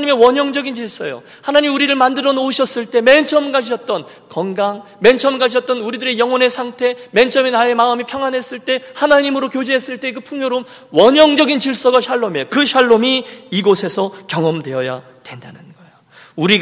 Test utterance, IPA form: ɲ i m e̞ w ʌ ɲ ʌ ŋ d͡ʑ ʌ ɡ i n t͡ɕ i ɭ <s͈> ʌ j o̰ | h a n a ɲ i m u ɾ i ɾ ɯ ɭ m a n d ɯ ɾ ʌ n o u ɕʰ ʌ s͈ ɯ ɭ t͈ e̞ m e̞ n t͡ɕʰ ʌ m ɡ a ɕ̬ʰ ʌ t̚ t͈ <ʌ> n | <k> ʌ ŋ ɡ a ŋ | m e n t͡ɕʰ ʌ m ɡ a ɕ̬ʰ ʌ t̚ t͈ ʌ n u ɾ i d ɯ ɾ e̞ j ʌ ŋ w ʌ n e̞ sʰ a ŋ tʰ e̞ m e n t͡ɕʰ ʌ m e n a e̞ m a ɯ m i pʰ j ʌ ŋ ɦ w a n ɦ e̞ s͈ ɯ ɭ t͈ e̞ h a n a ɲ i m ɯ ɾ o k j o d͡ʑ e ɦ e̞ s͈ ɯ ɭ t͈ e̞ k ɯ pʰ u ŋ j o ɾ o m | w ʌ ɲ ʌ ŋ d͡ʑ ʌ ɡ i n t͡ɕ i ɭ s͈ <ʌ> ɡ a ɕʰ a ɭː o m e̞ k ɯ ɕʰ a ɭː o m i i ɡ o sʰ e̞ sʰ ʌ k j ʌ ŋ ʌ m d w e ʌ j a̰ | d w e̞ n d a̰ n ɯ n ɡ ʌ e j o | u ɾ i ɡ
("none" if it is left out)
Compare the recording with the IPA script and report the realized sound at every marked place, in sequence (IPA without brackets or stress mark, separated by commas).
s͈, ʌ, k, ʌ